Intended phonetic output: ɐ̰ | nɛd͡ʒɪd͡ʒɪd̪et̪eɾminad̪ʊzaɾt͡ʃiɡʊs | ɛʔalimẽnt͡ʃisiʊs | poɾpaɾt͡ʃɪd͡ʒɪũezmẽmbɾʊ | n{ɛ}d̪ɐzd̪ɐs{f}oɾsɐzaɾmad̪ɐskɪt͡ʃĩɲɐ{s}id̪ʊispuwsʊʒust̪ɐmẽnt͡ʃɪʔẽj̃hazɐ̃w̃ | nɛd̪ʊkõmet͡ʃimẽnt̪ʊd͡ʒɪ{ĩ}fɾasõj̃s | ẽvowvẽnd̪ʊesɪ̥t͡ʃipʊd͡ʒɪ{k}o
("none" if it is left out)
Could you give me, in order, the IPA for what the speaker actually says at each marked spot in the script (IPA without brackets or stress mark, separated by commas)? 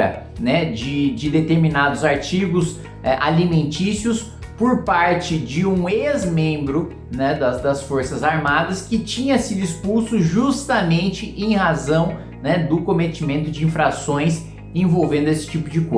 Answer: ɛ, f, s, ĩ, k